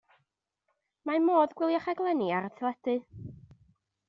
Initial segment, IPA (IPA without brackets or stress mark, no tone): m